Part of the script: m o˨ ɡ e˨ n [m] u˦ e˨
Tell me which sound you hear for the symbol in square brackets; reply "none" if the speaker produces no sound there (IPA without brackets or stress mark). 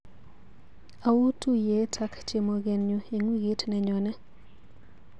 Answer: ɲ